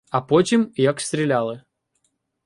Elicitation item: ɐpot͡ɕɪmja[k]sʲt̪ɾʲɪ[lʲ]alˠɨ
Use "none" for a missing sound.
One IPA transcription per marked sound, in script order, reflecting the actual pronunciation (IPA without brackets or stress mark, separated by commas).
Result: k, lʲ